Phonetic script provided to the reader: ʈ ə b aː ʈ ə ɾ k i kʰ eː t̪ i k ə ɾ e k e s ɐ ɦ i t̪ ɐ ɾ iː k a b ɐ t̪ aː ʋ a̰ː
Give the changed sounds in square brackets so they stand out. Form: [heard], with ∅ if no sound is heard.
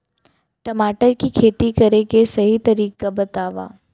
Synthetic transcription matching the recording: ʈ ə [m] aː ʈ ə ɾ k i kʰ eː t̪ i k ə ɾ e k e s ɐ ɦ i t̪ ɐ ɾ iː k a b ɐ t̪ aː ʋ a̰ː

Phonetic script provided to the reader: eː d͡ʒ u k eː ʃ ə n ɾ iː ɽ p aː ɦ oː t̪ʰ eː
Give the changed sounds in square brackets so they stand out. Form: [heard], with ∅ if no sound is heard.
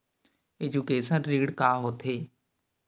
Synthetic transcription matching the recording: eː d͡ʒ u k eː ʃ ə n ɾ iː ɽ [k] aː ɦ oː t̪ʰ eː

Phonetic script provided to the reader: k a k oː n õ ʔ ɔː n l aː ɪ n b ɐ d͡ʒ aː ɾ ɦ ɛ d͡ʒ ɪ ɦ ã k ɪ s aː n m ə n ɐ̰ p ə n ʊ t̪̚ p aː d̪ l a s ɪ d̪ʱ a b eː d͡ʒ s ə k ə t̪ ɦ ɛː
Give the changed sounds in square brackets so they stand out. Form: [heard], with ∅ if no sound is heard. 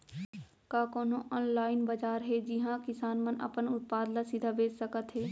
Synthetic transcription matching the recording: k a k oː n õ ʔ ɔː n l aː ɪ n b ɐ d͡ʒ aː ɾ ɦ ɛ d͡ʒ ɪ ɦ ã k ɪ s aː n m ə n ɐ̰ p ə n ʊ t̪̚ p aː d̪ l a s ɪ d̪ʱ a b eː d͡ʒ s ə k ə t̪ ɦ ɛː

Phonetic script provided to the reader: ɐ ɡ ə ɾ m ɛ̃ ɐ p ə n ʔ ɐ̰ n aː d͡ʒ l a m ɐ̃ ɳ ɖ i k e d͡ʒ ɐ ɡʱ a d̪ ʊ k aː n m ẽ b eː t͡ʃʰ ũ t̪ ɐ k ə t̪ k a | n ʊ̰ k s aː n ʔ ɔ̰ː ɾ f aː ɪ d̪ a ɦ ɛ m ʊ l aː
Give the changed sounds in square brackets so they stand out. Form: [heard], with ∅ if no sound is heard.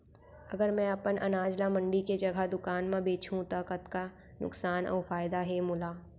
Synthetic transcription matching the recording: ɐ ɡ ə ɾ m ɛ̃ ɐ p ə n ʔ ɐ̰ n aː d͡ʒ l a m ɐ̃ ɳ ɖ i k e d͡ʒ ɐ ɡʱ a d̪ ʊ k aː n m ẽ b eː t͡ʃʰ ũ t̪ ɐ k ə t̪ k a | n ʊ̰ k s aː n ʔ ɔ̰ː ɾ f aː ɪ d̪ a ɦ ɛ m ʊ l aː

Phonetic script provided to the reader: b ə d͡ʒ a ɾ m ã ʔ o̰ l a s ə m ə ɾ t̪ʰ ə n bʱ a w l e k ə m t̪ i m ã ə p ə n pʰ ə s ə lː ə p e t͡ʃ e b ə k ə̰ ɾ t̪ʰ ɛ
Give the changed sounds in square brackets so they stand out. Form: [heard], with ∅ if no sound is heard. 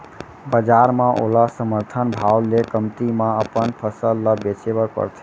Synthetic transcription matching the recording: b ə d͡ʒ a ɾ m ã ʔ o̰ l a s ə m ə ɾ t̪ʰ ə n bʱ a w l e k ə m t̪ i m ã ə p ə n pʰ ə s ə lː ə [b] e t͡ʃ e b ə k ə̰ ɾ t̪ʰ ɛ

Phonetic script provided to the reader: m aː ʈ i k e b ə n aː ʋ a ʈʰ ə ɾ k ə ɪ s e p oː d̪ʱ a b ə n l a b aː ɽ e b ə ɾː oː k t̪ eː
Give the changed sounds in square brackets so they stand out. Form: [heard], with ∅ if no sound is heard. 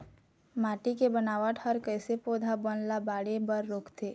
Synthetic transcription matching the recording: m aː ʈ i k e b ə n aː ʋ a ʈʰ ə ɾ k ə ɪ s e p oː d̪ʱ a b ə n l a b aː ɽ e b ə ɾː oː k t̪ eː

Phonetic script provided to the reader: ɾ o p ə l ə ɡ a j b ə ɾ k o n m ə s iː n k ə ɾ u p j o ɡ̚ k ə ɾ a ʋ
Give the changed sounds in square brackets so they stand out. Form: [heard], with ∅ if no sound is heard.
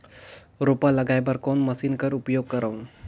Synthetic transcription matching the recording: ɾ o p [a] l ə ɡ a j b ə ɾ k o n m ə s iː n k ə ɾ u p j o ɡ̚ k ə ɾ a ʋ

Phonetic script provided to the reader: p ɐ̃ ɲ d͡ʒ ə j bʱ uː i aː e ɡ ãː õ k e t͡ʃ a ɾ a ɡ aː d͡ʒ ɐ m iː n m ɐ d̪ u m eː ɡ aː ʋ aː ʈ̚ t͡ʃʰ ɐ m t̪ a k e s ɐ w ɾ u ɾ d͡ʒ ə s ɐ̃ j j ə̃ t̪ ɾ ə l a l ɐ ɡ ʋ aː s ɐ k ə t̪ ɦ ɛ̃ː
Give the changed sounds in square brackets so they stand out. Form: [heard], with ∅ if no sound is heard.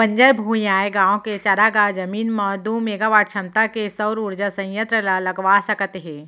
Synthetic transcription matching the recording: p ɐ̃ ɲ d͡ʒ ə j bʱ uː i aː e ɡ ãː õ k e t͡ʃ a ɾ a ɡ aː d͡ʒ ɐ m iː n m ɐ d̪ u m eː ɡ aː ʋ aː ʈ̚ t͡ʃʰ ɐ m t̪ a k e s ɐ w ɾ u ɾ d͡ʒ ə s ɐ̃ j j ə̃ t̪ ɾ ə l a l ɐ ɡ ʋ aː s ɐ k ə t̪ ɦ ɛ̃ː

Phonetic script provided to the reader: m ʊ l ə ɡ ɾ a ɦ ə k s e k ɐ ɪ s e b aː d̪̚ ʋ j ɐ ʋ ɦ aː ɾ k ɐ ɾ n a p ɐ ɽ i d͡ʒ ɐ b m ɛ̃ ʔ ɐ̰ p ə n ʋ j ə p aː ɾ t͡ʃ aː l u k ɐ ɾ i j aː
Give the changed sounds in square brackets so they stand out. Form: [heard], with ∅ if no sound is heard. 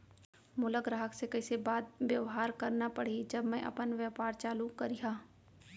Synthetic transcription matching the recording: m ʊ l ə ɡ ɾ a ɦ ə k s e k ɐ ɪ s e b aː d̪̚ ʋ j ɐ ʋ ɦ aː ɾ k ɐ ɾ n a p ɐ ɽ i d͡ʒ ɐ b m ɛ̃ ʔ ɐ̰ p ə n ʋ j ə p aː ɾ t͡ʃ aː l u k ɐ ɾ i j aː

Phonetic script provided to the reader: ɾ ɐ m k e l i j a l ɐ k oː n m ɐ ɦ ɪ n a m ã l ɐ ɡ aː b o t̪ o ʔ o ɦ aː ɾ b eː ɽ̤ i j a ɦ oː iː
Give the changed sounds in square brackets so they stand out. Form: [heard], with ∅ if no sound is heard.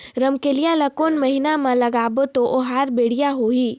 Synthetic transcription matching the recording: ɾ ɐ m k e l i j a l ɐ k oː n m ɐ ɦ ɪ n a m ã l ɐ ɡ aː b o t̪ o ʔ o ɦ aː ɾ b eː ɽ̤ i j a ɦ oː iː

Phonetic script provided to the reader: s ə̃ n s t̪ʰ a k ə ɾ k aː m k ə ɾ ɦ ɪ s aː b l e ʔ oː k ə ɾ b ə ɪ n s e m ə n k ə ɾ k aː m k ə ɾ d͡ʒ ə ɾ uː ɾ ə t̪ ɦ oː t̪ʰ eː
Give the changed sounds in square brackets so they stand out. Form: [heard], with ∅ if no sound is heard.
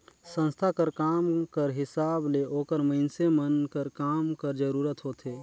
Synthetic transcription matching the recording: s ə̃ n s t̪ʰ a k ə ɾ k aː m k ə ɾ ɦ ɪ s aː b l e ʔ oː k ə ɾ [m] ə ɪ n s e m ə n k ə ɾ k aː m k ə ɾ d͡ʒ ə ɾ uː ɾ ə t̪ ɦ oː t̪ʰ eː

